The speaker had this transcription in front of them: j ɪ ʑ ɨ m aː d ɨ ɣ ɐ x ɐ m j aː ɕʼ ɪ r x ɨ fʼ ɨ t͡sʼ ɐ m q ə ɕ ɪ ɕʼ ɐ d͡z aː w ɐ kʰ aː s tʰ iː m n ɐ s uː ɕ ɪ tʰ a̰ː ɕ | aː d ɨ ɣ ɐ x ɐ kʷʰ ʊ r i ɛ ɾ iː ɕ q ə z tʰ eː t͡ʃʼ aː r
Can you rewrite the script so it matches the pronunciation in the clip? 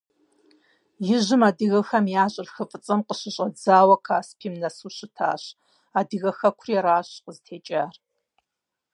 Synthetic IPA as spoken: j ɪ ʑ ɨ m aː d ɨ ɣ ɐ x ɐ m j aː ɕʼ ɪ r x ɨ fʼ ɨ t͡sʼ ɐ m q ə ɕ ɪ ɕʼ ɐ d͡z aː w ɐ kʰ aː s pʰ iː m n ɐ s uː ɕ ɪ tʰ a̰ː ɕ | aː d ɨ ɣ ɐ x ɐ kʷʰ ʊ r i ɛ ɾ aː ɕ q ə z tʰ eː t͡ʃʼ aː r

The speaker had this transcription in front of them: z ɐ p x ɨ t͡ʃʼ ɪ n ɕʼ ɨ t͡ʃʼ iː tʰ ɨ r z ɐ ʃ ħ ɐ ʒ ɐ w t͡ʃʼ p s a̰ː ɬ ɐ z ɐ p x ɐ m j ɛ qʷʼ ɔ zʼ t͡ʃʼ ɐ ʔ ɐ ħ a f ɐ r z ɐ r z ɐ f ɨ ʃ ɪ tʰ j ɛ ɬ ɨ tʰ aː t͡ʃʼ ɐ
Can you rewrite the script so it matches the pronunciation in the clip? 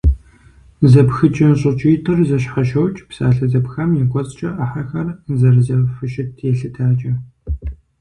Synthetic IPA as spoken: z ɐ p x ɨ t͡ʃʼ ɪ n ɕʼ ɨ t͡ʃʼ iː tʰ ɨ r z ɐ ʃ ħ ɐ ʃ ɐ w t͡ʃʼ p s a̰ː ɬ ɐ z ɐ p x ɐ m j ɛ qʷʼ ɔ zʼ t͡ʃʼ ɐ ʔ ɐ ħ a x ɐ r z ɐ r z ɐ f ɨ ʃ ɪ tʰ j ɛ ɬ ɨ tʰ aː t͡ʃʼ ɐ

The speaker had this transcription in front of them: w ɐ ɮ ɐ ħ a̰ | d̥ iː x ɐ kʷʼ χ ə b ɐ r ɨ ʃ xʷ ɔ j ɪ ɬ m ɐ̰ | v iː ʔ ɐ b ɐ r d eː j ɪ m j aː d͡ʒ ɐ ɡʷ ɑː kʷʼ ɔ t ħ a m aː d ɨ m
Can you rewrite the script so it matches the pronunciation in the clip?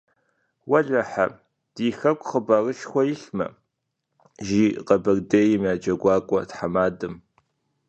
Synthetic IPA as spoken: w ɐ ɮ ɐ ħ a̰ | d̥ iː x ɐ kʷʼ χ ə b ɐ r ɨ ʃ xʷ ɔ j ɪ ɬ m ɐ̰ | ʒ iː q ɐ b ɐ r d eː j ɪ m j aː d͡ʒ ɐ ɡʷ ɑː kʷʼ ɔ t ħ a m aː d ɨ m

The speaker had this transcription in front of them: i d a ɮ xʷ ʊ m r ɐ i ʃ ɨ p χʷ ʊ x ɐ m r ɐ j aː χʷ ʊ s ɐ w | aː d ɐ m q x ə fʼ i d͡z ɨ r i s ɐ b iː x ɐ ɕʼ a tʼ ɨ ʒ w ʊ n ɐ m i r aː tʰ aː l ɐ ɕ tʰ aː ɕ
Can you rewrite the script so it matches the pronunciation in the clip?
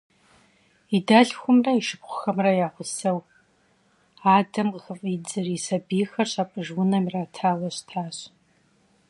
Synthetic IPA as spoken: i d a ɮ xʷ ʊ m r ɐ i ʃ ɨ p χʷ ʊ x ɐ m r ɐ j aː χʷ ʊ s ɐ w | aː d ɐ m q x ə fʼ i d͡z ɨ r i s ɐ b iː x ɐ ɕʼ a pʼ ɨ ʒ w ʊ n ɐ m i r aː tʰ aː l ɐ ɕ tʰ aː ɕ

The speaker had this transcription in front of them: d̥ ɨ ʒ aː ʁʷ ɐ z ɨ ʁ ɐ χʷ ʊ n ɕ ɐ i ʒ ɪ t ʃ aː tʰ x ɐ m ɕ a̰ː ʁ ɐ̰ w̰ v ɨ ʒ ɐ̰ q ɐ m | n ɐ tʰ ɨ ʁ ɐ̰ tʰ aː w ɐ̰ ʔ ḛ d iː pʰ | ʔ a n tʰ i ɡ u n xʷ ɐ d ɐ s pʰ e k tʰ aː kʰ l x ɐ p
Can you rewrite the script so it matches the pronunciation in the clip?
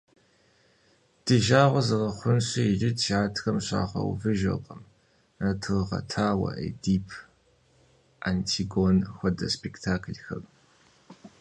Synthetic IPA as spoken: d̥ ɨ ʒ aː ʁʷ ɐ z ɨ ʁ ɐ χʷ ʊ n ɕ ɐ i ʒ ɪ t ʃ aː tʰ x ɐ m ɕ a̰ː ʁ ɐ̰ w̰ v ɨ ʒ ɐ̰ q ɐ m | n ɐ tʰ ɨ ʁ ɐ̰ tʰ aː w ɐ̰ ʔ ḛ d iː pʰ | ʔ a n tʰ i ɡ o n xʷ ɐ d ɐ s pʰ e k tʰ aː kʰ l x ɐ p

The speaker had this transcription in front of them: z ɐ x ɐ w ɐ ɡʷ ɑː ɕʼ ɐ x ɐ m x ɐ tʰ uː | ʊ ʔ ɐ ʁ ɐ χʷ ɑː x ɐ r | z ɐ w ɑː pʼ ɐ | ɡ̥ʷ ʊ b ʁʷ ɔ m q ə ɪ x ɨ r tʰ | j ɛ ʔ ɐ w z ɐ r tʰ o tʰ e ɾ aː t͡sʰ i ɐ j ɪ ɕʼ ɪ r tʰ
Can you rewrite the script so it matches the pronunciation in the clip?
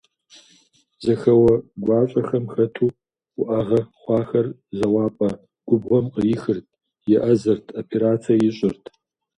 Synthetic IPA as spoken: z ɐ x ɐ w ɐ ɡʷ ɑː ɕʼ ɐ x ɐ m x ɐ tʰ uː | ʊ ʔ ɐ ʁ ɐ χʷ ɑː x ɐ r | z ɐ w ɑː pʼ ɐ | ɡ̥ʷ ʊ b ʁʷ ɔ m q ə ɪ x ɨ r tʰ | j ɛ ʔ ɐ z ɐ r tʰ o pʰ e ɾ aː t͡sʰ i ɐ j ɪ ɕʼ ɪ r tʰ

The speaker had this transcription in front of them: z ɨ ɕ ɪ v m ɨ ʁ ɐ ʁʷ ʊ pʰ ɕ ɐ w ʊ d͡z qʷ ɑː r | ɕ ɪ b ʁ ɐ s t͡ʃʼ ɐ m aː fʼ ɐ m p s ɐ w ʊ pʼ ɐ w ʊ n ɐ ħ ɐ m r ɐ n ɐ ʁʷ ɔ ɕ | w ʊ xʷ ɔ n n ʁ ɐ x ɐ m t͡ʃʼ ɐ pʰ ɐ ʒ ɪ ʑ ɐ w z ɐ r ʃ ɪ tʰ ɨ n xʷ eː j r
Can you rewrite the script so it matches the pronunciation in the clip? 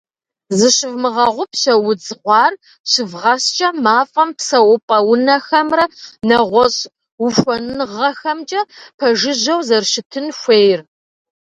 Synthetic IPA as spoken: z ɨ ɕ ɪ v m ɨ ʁ ɐ ʁʷ ʊ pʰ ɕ ɐ w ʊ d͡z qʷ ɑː r | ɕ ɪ v ʁ ɐ s t͡ʃʼ ɐ m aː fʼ ɐ m p s ɐ w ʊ pʼ ɐ w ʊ n ɐ x ɐ m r ɐ n ɐ ʁʷ ɔ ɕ | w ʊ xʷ ɔ n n ʁ ɐ x ɐ m t͡ʃʼ ɐ pʰ ɐ ʒ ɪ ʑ ɐ w z ɐ r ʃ ɪ tʰ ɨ n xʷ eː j r

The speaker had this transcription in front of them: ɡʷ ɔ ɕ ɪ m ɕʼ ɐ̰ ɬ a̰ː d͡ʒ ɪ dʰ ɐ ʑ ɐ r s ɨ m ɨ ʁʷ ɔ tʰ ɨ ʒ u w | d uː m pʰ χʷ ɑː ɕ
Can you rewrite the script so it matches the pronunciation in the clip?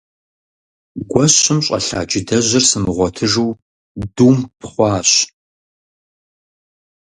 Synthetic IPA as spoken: ɡʷ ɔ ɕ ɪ m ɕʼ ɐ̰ ɬ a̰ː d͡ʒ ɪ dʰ ɐ ʑ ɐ r s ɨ m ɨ ʁʷ ɔ tʰ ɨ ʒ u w | d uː m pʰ χʷ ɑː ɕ

